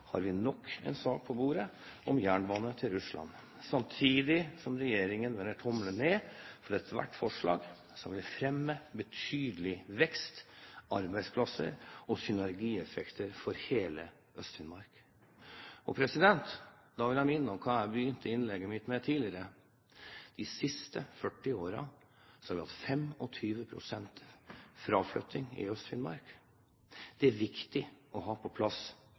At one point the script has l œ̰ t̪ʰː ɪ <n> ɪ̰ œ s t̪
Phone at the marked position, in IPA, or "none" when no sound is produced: ŋ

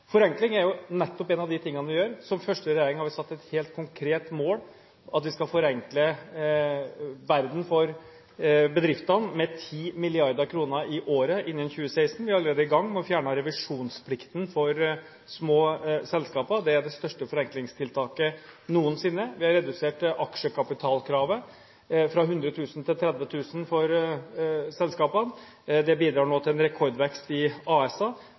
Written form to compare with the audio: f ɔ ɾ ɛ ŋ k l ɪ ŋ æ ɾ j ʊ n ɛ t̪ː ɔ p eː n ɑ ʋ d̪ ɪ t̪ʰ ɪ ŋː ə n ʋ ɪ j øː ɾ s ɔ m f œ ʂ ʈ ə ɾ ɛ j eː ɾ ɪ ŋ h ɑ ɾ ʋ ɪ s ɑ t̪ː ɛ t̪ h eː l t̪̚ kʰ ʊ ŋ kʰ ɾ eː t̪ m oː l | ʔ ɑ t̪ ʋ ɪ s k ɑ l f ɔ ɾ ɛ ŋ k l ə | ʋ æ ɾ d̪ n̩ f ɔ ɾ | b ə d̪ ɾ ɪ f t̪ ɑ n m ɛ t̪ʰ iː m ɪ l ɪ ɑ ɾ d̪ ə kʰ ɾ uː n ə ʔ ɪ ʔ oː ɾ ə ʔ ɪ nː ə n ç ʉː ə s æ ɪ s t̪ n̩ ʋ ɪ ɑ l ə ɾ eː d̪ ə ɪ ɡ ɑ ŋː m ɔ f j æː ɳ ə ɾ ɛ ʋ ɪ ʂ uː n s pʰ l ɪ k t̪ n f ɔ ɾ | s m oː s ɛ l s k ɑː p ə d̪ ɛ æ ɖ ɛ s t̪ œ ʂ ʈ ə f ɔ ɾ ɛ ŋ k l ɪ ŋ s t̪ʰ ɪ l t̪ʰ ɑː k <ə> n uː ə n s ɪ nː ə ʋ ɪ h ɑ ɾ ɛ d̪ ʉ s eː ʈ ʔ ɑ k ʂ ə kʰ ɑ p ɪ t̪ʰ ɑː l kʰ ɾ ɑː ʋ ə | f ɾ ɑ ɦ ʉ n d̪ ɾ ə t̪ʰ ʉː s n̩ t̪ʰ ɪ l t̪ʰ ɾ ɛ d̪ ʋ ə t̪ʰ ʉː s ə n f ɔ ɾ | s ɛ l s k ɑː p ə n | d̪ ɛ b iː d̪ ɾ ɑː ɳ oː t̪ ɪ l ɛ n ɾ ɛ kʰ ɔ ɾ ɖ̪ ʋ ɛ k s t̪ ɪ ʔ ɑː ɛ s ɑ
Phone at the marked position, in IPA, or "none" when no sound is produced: ə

